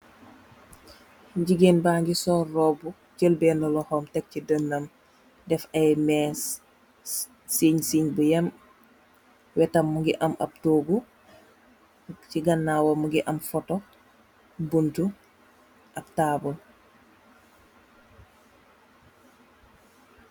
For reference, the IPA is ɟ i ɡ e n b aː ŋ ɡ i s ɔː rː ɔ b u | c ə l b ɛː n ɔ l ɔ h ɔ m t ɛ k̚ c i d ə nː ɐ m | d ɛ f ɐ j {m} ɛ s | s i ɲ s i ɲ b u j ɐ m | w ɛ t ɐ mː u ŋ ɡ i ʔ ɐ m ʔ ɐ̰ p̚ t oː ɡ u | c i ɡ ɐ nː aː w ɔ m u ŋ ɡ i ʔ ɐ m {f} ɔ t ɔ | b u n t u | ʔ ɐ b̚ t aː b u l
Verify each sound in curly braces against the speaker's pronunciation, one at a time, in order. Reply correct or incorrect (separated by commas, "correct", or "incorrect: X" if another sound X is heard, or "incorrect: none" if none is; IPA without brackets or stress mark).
correct, correct